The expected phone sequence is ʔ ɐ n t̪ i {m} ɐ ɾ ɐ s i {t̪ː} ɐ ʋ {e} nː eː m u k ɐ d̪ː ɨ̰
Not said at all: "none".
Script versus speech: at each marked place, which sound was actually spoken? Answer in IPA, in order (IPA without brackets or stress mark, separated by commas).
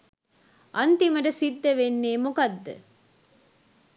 m, d̪ː, e